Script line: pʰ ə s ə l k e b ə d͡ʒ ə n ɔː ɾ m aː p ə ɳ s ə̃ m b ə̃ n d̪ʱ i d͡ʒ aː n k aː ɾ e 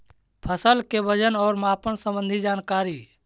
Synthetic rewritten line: pʰ ə s ə l k e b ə d͡ʒ ə n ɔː ɾ m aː p ə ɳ s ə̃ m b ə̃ n d̪ʱ i d͡ʒ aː n k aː ɾ i